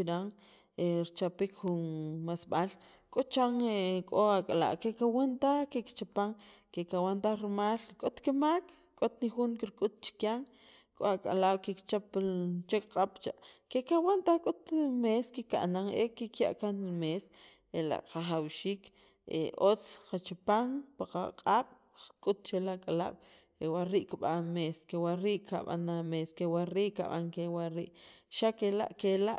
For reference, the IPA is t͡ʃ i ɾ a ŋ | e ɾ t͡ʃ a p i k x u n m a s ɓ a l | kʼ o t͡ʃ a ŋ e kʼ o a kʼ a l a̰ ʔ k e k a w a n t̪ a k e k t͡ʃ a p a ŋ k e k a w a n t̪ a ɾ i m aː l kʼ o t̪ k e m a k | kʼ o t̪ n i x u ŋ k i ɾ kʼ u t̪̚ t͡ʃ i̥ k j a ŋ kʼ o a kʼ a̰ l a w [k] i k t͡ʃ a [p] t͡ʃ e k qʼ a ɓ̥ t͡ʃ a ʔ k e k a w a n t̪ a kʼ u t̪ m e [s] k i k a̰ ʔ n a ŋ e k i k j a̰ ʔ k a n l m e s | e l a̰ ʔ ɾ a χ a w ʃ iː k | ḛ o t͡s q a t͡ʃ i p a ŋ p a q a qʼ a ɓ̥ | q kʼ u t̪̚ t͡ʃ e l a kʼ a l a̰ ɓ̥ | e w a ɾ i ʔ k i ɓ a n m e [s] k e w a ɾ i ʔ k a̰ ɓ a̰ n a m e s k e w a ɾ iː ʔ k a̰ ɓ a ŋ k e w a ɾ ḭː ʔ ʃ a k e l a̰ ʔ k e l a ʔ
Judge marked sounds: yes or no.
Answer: yes, yes, yes, yes

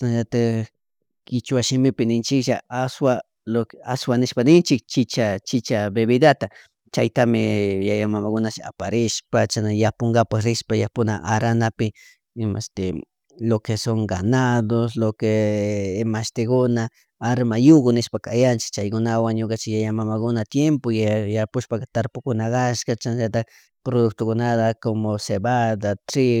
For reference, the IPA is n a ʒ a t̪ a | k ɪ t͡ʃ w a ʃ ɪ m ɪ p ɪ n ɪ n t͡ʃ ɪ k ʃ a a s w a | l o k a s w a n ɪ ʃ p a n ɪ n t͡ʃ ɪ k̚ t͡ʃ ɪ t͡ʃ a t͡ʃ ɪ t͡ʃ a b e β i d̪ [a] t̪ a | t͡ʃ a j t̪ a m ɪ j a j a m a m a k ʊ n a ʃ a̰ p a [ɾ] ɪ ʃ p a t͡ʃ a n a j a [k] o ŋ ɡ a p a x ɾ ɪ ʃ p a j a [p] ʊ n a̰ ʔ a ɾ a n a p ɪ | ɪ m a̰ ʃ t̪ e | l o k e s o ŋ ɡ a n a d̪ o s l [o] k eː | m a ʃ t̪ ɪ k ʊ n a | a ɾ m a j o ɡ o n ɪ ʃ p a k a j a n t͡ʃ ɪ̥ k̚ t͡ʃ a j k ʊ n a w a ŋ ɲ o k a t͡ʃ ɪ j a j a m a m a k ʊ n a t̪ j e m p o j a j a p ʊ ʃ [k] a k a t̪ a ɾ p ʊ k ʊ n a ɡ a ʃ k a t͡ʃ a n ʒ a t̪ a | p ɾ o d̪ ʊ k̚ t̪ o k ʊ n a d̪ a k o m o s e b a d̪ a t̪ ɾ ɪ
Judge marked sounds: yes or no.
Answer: yes, yes, no, yes, yes, no

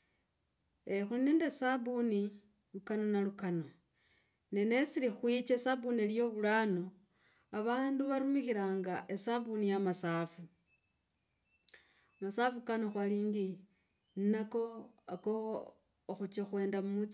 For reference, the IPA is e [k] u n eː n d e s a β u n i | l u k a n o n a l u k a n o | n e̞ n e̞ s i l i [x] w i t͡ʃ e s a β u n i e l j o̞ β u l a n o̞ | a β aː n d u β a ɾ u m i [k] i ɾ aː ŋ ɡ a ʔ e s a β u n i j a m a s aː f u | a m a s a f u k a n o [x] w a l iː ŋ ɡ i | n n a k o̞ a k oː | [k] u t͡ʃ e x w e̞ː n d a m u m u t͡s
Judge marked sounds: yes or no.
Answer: no, yes, no, yes, no

